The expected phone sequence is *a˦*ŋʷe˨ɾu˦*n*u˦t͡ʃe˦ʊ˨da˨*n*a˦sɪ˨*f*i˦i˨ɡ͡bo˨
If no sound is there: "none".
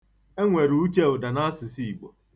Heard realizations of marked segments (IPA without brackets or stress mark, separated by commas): e˦, none, n, s